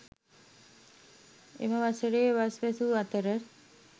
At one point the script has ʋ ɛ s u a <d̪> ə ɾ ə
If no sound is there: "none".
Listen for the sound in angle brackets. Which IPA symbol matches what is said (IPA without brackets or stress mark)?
t̪